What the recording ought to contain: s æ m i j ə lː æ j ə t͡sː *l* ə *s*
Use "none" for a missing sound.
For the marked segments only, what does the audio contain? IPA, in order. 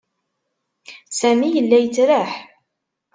ɾ, ħ

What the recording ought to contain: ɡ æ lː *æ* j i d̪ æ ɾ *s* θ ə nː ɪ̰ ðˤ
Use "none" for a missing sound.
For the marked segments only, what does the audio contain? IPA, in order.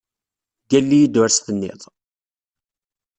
i, s

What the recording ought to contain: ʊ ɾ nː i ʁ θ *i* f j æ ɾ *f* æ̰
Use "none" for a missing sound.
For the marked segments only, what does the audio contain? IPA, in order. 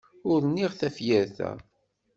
æ, θ

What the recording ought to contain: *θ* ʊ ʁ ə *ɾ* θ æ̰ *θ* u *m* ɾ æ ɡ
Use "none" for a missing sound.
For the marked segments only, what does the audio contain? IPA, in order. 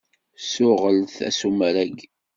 s, l, s, m

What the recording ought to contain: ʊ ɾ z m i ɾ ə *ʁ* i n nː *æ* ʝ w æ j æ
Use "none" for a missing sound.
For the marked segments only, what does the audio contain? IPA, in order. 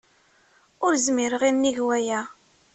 ʁ, i

